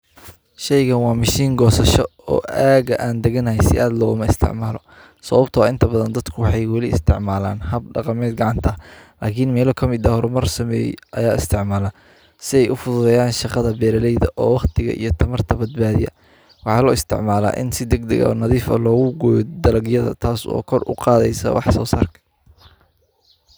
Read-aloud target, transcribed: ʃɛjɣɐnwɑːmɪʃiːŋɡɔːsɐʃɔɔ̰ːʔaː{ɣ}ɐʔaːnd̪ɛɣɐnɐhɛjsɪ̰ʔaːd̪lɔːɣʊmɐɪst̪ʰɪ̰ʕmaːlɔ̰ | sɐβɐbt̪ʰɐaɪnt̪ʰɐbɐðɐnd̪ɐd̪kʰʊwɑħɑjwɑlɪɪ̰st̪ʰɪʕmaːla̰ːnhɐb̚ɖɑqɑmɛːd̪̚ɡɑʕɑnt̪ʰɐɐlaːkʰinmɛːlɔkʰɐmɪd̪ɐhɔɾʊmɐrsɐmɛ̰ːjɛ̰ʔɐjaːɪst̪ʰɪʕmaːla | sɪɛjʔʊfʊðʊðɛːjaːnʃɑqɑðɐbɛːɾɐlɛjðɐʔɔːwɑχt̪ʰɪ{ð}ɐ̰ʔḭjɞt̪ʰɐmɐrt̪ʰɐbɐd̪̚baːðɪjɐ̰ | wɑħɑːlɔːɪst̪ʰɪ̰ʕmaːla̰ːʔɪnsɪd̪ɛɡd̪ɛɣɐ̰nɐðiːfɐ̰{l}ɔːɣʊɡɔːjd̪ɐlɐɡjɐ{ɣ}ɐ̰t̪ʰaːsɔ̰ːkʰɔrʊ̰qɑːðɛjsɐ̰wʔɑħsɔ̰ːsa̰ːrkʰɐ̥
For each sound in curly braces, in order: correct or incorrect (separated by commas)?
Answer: correct, incorrect, correct, incorrect